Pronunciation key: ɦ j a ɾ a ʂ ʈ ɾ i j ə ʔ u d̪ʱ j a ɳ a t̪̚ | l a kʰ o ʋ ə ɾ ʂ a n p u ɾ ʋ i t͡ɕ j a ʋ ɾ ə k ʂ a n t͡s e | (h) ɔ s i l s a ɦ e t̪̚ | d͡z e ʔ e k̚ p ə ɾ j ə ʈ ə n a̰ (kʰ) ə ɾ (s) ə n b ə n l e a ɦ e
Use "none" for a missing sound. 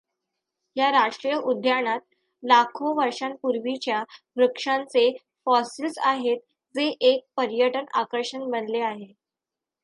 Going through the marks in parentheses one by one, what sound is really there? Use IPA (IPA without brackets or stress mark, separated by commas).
f, k, ʂ